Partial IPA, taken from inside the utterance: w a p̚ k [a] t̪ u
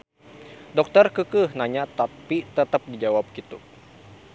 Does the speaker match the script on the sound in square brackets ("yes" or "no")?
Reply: no